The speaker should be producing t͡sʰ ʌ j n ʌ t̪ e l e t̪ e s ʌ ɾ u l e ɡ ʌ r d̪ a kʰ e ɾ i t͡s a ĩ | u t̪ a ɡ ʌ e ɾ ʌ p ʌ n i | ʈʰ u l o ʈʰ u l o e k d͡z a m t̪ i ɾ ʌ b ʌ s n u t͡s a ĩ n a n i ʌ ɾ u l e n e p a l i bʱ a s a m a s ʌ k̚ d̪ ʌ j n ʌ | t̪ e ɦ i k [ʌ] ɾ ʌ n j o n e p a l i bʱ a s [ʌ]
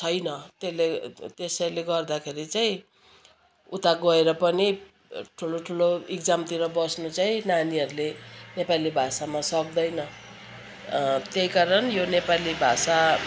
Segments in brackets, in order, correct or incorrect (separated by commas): incorrect, incorrect